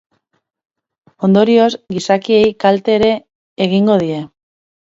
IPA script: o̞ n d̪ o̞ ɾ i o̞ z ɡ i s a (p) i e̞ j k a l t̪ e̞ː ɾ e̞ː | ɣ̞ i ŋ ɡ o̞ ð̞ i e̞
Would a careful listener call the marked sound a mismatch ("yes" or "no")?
yes